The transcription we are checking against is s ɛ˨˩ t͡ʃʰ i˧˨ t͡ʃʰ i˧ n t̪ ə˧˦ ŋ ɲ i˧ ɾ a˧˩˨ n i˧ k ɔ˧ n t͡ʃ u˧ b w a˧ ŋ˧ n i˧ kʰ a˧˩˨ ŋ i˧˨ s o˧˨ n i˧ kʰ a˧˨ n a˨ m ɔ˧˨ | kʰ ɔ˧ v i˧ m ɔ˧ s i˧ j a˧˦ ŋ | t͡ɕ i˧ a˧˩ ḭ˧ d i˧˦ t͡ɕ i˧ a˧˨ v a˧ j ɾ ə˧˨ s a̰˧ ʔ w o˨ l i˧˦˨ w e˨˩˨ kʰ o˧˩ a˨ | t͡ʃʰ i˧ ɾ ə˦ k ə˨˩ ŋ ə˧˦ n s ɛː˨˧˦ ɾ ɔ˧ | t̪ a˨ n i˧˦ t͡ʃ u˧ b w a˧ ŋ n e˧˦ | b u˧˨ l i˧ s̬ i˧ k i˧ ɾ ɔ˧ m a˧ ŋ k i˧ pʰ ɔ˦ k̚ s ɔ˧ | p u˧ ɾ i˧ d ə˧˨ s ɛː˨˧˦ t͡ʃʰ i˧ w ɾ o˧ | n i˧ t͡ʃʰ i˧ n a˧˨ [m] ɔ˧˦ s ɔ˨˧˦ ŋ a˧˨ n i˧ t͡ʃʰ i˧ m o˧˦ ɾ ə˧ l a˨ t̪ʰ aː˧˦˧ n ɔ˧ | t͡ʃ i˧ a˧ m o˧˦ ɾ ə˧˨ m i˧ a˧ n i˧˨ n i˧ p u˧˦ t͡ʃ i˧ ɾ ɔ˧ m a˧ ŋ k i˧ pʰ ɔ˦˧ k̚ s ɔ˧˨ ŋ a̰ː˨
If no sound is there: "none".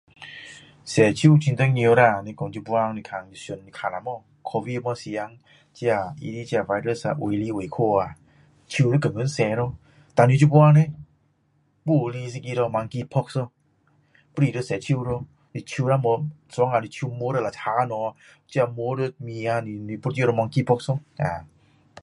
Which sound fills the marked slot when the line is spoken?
m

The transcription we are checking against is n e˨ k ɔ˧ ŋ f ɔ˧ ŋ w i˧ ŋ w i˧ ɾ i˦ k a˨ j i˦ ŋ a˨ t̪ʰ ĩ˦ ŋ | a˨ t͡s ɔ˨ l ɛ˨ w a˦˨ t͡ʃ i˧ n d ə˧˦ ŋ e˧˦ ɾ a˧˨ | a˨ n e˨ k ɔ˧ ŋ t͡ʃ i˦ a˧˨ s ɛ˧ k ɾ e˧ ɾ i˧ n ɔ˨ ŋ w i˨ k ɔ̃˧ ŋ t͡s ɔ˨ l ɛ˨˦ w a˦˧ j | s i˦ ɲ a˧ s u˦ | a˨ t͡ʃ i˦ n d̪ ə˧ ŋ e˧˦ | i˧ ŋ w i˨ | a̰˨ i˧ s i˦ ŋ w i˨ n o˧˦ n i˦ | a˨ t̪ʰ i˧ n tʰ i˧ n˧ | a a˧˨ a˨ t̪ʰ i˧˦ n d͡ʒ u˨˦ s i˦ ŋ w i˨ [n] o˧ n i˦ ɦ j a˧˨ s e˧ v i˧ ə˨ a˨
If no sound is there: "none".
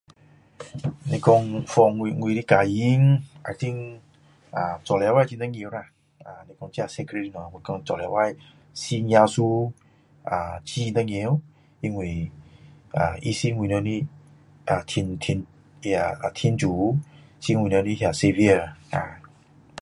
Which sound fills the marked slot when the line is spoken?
n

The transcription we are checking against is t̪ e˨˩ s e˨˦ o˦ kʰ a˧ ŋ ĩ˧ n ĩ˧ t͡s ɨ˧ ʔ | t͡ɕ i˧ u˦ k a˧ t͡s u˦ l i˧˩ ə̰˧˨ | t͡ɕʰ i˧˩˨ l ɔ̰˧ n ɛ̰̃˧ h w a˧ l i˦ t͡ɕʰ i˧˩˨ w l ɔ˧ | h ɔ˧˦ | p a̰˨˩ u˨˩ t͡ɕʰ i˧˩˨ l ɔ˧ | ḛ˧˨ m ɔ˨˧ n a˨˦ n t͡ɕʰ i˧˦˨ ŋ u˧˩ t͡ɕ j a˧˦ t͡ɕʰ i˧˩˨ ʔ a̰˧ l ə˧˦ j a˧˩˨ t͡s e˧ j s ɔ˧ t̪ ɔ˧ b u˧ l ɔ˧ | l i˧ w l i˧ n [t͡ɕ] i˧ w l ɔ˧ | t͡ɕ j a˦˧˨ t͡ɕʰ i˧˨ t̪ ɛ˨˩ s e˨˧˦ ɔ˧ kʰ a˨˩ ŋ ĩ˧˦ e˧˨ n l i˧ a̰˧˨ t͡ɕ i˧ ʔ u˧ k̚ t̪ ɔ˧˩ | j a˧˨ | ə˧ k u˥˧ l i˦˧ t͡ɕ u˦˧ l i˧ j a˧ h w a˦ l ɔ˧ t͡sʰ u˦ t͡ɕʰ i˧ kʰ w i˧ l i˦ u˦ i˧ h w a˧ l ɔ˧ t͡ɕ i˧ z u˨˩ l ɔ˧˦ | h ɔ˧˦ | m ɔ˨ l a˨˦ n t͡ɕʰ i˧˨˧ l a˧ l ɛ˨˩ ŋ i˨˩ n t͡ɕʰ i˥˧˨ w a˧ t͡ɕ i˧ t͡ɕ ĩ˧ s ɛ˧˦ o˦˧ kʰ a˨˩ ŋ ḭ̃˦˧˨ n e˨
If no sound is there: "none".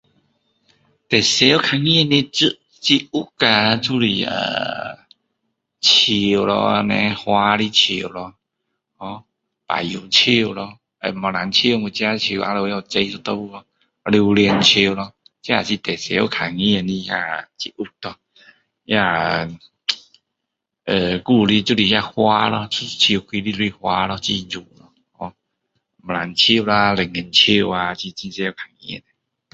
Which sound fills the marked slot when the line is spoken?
t͡ɕʰ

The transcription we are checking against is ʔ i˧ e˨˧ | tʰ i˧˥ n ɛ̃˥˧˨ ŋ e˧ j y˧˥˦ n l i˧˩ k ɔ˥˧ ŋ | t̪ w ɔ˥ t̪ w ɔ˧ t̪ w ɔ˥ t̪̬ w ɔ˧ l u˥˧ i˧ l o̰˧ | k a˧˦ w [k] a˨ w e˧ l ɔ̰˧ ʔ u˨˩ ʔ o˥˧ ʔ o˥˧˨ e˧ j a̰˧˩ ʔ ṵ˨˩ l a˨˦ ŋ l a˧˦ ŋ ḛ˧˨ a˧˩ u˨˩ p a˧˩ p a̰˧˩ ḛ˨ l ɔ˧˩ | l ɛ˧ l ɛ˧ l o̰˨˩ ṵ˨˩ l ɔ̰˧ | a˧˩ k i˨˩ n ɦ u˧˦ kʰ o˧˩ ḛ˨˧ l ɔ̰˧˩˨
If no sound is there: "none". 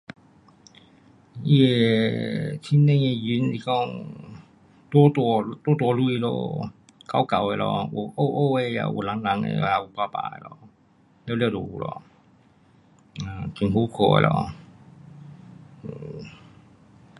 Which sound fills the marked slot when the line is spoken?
k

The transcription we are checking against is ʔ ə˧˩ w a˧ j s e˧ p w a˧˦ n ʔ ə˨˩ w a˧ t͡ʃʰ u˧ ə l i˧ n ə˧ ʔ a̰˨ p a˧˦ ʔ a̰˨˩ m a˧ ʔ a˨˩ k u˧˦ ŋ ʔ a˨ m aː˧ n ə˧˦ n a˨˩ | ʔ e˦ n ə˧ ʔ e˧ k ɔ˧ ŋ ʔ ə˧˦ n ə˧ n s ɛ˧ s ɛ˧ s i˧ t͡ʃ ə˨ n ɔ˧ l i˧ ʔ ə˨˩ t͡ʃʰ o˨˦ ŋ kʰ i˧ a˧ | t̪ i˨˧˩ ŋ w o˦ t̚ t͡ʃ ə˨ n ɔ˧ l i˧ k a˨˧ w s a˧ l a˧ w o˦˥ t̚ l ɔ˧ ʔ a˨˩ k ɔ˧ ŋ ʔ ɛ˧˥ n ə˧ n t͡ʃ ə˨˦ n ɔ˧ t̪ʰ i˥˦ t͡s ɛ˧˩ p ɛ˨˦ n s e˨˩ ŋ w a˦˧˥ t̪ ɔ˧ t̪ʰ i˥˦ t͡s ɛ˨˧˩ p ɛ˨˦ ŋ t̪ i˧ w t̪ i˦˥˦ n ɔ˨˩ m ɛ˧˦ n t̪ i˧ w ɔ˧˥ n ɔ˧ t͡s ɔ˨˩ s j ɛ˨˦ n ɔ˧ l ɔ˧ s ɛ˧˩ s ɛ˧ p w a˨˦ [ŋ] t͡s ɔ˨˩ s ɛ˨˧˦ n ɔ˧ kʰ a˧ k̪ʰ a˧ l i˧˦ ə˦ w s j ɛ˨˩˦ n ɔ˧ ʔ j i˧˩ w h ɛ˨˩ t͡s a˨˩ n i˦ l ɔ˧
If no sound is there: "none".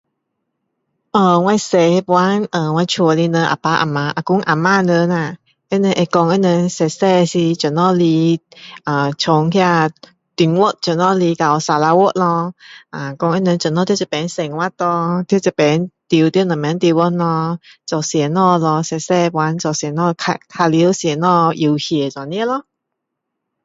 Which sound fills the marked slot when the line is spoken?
n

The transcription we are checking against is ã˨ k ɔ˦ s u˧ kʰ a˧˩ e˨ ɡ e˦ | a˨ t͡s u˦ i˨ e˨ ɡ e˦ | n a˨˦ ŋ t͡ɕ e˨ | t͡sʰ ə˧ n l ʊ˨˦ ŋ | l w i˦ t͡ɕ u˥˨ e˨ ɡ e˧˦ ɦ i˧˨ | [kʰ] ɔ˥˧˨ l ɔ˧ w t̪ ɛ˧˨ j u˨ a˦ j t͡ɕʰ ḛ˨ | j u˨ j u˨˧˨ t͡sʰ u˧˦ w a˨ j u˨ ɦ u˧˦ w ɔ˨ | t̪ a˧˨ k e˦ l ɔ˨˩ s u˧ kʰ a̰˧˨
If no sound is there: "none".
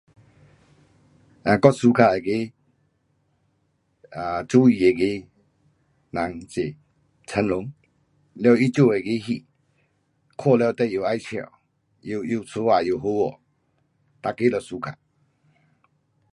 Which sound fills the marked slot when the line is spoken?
kʰ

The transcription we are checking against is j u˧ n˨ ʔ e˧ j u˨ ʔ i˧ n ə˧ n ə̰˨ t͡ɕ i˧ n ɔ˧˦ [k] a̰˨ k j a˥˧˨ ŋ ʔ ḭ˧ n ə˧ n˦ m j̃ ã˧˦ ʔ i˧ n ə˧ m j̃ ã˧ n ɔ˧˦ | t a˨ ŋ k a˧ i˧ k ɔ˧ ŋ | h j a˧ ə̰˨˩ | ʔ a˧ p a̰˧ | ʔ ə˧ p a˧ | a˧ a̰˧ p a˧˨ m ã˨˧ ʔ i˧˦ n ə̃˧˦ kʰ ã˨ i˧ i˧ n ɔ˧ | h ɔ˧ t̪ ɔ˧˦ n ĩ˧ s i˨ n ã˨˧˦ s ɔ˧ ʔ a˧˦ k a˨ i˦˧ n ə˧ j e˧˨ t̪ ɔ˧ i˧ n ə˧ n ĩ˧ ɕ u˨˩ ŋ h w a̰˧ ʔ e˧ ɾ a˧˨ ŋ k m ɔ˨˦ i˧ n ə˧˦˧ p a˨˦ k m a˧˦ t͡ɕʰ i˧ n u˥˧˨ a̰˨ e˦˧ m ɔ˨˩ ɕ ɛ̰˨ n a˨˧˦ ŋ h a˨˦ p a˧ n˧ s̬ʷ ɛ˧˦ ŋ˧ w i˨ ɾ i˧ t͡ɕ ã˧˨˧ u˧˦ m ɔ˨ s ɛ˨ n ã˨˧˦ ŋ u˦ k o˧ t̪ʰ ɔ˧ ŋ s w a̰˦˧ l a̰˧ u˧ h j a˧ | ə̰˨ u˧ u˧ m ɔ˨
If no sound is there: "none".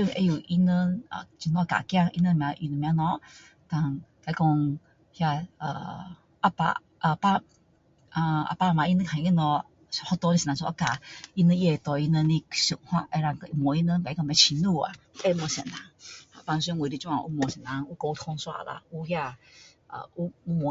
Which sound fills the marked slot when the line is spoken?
k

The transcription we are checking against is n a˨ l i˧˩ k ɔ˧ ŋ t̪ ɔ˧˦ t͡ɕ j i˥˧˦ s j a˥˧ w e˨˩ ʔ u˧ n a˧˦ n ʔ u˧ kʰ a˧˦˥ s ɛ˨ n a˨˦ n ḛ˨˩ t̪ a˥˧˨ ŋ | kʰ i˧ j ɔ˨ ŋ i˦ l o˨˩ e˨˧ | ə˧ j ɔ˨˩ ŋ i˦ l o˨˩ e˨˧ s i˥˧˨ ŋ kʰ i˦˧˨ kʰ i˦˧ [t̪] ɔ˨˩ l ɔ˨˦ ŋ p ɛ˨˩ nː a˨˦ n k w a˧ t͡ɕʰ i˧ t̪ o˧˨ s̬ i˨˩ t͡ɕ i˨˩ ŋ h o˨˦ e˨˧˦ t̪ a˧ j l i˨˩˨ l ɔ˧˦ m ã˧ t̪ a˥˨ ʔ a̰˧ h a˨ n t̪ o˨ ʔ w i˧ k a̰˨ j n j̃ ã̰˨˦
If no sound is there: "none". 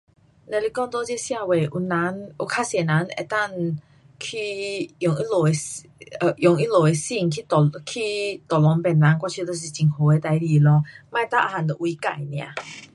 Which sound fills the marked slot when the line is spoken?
t̪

